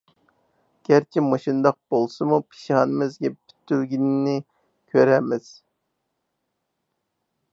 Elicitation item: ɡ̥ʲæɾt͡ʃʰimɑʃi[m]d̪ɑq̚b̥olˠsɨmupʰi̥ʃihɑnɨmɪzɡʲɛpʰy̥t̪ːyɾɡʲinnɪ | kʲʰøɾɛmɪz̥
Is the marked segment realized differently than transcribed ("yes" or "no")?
yes